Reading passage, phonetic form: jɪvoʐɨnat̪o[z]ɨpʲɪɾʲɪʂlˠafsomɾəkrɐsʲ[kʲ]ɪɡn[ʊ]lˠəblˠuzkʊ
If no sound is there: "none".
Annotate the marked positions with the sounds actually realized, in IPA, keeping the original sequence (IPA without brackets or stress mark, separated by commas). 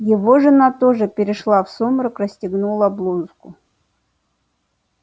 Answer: ʐ, tʲ, u